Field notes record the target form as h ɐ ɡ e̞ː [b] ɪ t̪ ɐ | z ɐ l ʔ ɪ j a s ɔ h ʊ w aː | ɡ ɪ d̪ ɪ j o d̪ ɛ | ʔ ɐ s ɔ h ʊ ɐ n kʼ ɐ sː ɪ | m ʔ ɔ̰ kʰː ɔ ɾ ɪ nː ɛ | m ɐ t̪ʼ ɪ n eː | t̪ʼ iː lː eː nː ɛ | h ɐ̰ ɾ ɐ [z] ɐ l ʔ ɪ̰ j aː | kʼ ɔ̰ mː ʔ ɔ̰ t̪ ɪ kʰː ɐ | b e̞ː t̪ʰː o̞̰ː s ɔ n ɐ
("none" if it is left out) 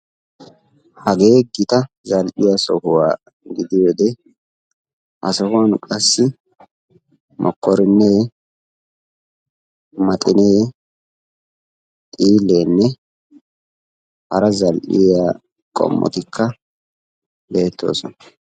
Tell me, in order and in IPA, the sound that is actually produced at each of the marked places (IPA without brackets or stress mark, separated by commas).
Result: ɡ, z